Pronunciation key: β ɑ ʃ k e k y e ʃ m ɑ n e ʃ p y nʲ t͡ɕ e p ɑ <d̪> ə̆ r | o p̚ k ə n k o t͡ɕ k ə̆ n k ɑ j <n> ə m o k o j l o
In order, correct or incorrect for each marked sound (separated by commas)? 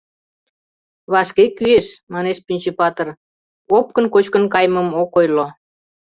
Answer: incorrect, incorrect